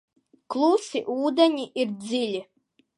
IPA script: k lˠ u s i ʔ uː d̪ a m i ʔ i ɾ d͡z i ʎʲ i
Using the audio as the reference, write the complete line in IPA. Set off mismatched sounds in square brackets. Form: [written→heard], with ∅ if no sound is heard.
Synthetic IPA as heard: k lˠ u s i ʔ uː d̪ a [m→ɲ] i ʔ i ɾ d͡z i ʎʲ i